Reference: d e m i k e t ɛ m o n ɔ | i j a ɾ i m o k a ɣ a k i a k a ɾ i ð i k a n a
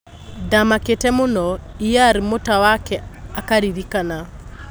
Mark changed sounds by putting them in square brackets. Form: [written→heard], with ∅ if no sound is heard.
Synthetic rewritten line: d [e→a] m [i→a] k e t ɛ m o n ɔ | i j a ɾ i m o [k→t] a [ɣ→w] a k [i→ɛ] a k a ɾ i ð i k a n a